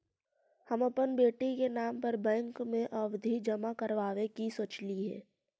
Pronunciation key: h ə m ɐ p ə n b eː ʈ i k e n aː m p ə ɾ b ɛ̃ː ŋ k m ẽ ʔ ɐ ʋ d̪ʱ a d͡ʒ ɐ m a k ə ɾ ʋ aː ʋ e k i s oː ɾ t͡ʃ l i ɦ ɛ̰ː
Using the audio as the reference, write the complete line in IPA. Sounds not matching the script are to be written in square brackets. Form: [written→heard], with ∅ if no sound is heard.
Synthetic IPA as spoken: h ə m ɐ p ə n b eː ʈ i k e n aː m p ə ɾ b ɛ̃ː ŋ k m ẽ ʔ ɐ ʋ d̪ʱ [a→i] d͡ʒ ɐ m a k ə ɾ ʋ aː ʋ e k i s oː [ɾ→∅] t͡ʃ l i ɦ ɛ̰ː